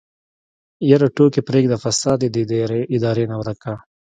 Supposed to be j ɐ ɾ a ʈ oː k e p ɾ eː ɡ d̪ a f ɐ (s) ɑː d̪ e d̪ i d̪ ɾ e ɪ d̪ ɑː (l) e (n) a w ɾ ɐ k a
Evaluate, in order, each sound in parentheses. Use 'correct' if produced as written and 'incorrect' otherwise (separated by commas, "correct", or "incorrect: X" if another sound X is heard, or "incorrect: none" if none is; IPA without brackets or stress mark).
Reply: correct, incorrect: ɾ, correct